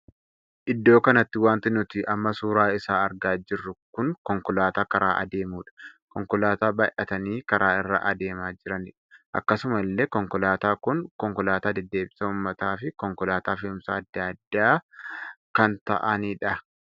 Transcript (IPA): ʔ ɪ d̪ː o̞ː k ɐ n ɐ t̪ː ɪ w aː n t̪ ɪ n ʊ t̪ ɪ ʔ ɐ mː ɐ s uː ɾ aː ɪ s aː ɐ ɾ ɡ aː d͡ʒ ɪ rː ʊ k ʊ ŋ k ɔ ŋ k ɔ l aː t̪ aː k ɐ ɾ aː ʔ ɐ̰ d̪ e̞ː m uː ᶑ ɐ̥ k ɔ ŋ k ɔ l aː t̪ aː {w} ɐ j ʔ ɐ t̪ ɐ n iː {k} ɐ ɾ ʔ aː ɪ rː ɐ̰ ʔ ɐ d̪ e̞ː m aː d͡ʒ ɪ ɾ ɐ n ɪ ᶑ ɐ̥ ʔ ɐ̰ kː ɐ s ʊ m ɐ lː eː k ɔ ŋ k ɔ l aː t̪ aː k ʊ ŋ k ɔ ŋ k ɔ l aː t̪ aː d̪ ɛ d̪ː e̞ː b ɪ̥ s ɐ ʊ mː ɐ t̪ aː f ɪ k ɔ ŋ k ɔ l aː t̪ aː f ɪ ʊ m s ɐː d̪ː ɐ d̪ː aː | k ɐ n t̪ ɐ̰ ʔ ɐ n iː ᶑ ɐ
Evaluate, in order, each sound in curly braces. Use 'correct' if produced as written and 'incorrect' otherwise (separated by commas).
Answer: incorrect, correct